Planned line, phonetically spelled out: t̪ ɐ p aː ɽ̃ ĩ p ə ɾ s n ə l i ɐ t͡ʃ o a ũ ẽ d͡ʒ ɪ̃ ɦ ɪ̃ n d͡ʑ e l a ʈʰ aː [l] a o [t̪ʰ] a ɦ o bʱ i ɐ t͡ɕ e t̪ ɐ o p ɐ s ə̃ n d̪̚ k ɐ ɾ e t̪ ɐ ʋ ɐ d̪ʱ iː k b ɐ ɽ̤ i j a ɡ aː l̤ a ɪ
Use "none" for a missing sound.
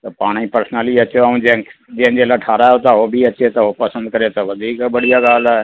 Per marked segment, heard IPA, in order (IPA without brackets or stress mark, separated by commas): ɾ, t̪